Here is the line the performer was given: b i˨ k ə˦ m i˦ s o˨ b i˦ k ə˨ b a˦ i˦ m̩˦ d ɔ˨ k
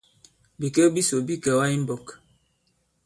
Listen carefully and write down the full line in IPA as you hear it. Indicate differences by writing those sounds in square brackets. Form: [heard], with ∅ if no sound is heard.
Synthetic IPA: b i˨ k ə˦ [b] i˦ s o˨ b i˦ k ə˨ [w] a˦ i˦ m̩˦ [b] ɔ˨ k